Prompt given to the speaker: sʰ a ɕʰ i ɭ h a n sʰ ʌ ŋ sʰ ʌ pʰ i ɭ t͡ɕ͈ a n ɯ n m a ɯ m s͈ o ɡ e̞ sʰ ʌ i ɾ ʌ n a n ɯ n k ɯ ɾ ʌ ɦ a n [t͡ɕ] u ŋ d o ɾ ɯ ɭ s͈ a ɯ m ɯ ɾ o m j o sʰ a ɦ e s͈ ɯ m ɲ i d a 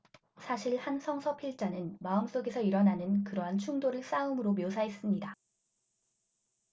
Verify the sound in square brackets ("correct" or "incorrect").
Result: incorrect